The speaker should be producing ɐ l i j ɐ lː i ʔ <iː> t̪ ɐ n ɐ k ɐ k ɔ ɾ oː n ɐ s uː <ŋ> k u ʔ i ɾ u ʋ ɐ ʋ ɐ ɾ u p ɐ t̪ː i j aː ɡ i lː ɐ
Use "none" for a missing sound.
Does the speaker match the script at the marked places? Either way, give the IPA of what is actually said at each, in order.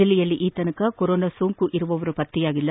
iː, ŋ

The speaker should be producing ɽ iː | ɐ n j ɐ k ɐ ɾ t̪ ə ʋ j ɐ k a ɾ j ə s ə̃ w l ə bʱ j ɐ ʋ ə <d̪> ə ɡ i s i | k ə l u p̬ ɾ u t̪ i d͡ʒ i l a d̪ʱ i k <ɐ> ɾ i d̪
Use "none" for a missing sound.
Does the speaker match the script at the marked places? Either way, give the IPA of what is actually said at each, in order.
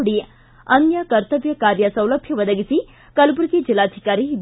d̪, a

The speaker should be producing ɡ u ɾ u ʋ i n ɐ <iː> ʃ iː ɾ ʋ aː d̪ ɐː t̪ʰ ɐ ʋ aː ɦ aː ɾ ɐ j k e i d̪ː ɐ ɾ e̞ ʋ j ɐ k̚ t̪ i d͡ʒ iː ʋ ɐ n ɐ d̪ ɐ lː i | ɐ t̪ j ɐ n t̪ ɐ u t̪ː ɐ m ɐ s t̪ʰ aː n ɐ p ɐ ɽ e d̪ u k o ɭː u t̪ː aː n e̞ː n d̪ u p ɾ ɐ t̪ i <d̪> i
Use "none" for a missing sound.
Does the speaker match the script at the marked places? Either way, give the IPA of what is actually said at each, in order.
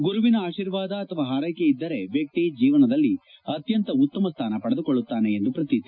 aː, t̪

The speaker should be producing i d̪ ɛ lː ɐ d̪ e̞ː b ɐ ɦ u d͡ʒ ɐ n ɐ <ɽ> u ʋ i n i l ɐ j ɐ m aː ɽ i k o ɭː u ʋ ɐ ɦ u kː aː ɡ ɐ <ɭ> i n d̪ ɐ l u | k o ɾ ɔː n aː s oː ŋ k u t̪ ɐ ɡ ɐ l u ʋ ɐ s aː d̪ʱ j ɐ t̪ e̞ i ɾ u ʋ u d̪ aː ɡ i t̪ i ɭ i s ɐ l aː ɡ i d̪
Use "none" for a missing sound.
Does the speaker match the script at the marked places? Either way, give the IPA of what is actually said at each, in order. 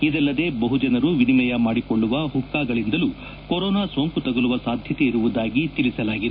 ɾ, ɭ

